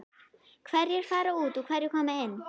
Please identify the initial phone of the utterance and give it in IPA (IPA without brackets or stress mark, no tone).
kʰ